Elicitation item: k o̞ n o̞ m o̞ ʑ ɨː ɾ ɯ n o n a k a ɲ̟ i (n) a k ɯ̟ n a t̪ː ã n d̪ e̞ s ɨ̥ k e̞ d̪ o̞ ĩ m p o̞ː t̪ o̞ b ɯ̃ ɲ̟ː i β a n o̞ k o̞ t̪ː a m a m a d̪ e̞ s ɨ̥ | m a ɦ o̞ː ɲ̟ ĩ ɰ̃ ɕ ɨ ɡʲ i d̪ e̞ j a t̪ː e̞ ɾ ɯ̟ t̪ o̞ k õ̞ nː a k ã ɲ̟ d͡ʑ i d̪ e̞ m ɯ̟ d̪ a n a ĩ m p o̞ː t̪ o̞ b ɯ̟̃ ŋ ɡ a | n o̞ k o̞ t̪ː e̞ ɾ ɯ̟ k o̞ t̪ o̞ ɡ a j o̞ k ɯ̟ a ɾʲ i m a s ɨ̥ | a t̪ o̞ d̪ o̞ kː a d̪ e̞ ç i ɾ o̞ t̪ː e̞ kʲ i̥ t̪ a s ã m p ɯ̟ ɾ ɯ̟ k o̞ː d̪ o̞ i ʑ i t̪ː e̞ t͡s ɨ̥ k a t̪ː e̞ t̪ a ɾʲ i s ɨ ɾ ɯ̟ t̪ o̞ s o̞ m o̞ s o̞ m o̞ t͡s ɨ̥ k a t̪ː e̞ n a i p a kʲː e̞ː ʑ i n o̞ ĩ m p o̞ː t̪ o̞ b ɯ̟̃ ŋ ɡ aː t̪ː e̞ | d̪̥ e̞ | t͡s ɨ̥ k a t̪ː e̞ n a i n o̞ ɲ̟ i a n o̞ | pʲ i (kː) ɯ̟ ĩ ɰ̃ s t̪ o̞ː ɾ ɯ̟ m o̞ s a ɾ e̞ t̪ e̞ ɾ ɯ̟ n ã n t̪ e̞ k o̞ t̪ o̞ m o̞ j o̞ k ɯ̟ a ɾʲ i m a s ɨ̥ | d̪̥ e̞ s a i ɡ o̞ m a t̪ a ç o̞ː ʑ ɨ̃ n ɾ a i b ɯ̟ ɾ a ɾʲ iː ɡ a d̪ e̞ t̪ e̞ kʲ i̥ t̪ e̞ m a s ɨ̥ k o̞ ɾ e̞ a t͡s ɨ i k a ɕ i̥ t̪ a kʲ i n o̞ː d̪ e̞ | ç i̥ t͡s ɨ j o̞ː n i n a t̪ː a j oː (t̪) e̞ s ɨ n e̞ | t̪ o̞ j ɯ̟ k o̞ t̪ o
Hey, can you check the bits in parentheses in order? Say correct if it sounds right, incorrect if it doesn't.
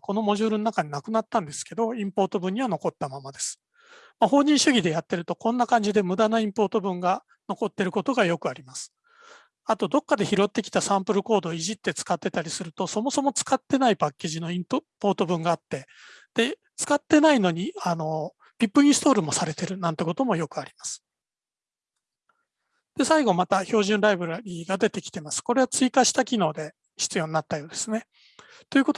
correct, incorrect: pː, incorrect: d̪

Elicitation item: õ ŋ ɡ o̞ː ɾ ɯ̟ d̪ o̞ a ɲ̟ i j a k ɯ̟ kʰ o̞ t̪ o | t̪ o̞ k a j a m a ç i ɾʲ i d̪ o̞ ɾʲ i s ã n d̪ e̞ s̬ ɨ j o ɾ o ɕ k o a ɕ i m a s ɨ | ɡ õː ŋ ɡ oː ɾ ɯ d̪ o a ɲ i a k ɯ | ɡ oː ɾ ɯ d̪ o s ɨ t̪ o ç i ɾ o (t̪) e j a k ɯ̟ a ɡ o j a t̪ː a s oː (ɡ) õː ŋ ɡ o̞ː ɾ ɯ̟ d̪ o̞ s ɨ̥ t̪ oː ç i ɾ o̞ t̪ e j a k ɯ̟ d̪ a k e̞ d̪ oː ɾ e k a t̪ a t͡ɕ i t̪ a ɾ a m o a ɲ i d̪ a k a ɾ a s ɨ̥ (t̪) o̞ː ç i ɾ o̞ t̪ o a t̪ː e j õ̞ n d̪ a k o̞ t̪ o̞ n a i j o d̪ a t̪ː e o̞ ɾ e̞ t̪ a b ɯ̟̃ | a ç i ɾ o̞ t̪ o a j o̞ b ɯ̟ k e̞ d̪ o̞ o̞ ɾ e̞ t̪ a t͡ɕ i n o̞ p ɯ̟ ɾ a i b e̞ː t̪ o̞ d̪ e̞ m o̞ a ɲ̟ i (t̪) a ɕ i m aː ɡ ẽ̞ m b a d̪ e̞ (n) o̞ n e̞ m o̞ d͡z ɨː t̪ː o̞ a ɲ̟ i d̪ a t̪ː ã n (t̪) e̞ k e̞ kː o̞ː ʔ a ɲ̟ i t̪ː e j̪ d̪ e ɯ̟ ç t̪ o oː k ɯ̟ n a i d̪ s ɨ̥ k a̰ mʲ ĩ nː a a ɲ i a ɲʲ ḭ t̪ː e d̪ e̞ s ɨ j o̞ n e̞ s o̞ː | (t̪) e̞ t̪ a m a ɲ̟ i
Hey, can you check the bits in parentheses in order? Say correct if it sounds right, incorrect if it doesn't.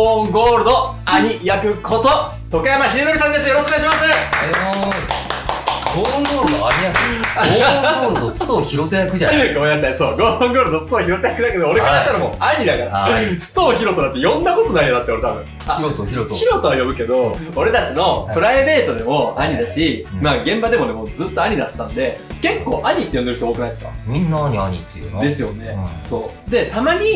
correct, correct, correct, incorrect: d̪, incorrect: m, incorrect: d̪, incorrect: d̪

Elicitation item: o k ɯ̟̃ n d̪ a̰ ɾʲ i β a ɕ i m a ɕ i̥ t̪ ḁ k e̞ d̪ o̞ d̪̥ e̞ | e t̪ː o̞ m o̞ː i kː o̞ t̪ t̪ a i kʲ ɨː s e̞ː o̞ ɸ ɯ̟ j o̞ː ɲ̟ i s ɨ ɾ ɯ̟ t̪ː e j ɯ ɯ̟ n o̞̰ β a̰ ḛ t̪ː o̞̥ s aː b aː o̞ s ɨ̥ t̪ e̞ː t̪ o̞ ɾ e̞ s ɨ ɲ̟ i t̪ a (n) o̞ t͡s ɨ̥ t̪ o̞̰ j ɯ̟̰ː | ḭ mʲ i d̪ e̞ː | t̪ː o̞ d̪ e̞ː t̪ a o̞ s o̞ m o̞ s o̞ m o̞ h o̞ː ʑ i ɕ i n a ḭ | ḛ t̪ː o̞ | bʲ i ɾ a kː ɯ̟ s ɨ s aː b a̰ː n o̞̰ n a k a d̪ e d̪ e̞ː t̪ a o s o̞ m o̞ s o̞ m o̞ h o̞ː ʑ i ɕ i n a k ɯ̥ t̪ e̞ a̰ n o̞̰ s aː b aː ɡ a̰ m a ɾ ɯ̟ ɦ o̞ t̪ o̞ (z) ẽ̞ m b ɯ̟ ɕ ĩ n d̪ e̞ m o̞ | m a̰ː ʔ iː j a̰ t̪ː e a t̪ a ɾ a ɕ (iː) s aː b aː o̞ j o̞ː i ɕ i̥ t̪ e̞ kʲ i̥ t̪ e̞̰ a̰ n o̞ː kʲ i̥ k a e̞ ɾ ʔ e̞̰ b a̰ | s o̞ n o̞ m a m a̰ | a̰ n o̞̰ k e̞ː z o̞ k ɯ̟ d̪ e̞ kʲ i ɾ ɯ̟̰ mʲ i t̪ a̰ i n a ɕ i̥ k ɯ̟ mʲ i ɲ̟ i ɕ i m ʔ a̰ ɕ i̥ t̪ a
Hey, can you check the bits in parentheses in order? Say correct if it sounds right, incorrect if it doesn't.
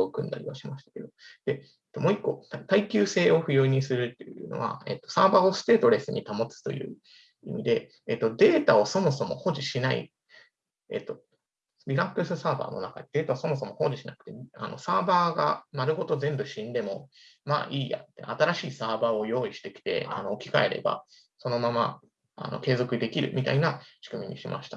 incorrect: m, correct, correct

